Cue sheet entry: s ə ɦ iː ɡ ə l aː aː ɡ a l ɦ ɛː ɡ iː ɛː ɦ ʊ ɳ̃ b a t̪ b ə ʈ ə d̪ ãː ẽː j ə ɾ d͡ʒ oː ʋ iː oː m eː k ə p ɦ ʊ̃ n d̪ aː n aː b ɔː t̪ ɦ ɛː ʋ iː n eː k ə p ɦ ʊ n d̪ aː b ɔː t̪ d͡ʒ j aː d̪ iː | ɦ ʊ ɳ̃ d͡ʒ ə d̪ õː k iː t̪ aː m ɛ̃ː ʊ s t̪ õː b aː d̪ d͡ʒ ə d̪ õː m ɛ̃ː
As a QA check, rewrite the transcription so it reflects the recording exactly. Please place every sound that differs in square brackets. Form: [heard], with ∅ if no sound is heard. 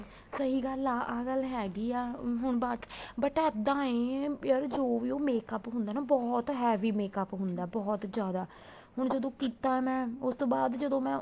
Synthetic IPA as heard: s ə ɦ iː ɡ ə l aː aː ɡ [ə] l ɦ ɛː ɡ iː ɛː ɦ ʊ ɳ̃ b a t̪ b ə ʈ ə d̪ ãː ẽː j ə ɾ d͡ʒ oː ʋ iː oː m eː k ə p ɦ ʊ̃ n d̪ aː n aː b ɔː t̪ ɦ ɛː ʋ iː [m] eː k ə p ɦ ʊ n d̪ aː b ɔː t̪ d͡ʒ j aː d̪ [aː] | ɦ ʊ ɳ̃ d͡ʒ ə d̪ õː k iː t̪ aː m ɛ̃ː ʊ s t̪ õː b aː d̪ d͡ʒ ə d̪ õː m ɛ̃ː